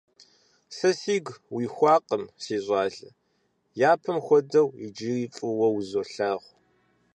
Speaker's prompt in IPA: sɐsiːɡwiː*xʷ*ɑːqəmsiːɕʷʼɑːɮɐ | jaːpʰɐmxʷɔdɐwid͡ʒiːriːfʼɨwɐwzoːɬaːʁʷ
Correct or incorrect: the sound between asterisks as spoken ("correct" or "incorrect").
correct